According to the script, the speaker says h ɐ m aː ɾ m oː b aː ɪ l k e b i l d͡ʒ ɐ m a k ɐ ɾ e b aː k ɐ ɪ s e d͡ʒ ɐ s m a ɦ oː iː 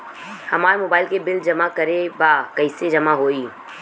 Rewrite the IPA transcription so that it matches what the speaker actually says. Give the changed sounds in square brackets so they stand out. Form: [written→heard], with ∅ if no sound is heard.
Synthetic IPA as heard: h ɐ m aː ɾ m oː b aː ɪ l k e b [i→ɪ] l d͡ʒ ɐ m a k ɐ ɾ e b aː k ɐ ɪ s e d͡ʒ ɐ [s→∅] m a ɦ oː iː